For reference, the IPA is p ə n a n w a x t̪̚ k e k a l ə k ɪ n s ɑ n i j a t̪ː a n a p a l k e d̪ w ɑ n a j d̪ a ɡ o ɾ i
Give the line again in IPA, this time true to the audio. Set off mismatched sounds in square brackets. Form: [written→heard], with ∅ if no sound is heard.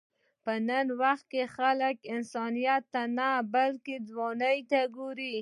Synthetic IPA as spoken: p ə n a n w a x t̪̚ k e [k→x] a l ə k ɪ n s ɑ n i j a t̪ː a n a [p→b] a l k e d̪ w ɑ n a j [d̪→t̪] a ɡ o ɾ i